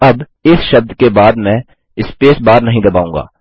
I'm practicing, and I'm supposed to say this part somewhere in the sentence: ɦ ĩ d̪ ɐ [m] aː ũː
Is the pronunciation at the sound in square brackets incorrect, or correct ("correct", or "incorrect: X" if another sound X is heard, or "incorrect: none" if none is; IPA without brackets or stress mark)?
incorrect: b